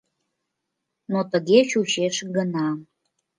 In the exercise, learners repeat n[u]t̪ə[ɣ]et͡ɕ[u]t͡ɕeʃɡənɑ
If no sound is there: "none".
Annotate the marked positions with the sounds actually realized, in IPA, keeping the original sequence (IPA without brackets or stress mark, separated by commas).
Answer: o, ɣ, u